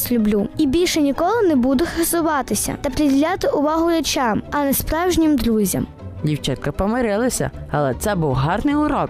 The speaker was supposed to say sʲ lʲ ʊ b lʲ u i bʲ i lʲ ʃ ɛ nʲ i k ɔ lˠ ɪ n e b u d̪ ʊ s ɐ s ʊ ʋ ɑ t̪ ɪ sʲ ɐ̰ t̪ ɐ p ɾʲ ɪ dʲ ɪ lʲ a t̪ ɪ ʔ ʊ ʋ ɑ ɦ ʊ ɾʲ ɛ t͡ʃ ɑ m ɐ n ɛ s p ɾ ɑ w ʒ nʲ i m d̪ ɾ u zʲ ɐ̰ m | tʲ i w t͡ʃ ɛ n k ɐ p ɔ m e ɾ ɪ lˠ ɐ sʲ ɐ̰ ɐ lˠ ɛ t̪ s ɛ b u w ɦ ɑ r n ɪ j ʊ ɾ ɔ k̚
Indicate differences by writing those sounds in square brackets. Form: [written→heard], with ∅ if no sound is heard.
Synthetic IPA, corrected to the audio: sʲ lʲ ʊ b lʲ u i bʲ i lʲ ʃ ɛ nʲ i k ɔ lˠ ɪ n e b u d̪ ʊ [s→x] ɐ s ʊ ʋ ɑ t̪ ɪ sʲ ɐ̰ t̪ ɐ p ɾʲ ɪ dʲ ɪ lʲ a t̪ ɪ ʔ ʊ ʋ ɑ ɦ ʊ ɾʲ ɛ t͡ʃ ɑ m ɐ n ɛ s p ɾ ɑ w ʒ nʲ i m d̪ ɾ u zʲ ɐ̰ m | [tʲ→dʲ] i w t͡ʃ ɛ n k ɐ p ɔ m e ɾ ɪ lˠ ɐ sʲ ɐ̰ ɐ lˠ ɛ t̪ s ɛ b u w ɦ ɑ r n ɪ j ʊ ɾ ɔ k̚